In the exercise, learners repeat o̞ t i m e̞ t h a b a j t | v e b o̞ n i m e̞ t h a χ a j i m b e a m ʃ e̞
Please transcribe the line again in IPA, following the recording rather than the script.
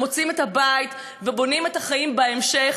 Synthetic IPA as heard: o̞ t͡s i m e̞ t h a b a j t | v e b o̞ n i m e̞ t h a χ a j i m b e e m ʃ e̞